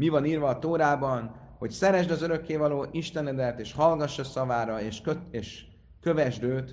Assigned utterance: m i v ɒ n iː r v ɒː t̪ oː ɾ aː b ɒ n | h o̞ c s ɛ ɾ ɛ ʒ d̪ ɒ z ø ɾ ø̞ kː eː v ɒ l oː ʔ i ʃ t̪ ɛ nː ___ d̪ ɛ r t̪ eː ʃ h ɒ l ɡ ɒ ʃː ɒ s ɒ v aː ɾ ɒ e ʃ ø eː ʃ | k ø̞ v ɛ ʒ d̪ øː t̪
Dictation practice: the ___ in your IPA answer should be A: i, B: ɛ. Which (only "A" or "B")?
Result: B